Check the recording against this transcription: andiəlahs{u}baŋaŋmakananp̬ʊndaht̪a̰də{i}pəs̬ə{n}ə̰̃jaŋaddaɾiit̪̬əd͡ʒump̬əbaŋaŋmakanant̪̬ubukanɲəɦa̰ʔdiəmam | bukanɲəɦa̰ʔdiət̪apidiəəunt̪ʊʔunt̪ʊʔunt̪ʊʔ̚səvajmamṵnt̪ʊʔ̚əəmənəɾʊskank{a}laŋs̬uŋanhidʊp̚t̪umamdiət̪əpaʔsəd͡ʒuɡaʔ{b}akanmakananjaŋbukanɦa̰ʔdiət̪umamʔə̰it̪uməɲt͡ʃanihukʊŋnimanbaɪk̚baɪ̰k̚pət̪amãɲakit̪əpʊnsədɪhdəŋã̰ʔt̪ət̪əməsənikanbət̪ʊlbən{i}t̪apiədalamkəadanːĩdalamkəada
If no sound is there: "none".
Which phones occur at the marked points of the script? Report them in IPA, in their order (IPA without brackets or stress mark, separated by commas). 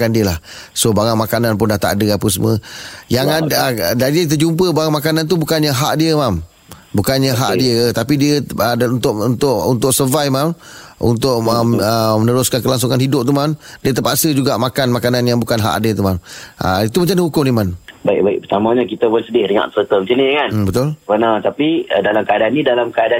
o, a, m, ə, m, a